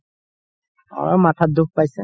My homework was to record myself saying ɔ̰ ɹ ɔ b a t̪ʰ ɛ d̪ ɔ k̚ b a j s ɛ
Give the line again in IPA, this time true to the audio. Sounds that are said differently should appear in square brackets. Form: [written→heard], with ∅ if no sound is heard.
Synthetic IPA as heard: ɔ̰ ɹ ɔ [b→m] a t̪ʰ [ɛ→a] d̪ [ɔ→u] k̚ [b→p] a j s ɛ